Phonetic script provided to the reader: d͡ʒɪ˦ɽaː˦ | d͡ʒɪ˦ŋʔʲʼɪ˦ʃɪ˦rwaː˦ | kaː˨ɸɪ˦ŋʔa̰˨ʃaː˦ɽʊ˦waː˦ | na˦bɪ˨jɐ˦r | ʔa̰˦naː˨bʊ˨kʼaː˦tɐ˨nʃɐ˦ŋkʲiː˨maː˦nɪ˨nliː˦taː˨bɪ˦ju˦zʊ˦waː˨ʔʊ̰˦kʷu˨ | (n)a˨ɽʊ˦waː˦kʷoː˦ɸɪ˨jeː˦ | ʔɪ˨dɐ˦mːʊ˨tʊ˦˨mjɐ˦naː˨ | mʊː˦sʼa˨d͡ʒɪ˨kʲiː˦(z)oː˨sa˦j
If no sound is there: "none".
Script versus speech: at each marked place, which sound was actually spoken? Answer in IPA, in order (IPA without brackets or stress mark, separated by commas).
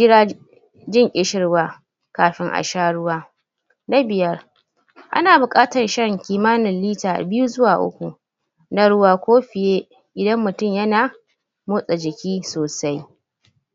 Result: n, s